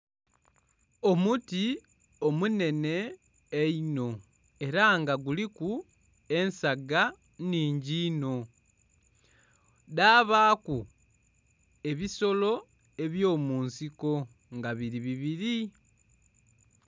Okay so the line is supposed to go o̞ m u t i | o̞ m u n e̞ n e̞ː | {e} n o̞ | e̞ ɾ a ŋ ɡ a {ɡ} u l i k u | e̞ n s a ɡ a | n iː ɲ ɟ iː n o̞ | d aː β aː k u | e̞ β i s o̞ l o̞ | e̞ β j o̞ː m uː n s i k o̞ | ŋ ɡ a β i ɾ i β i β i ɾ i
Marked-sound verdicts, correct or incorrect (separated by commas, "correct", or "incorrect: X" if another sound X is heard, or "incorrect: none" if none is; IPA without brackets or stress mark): incorrect: i, correct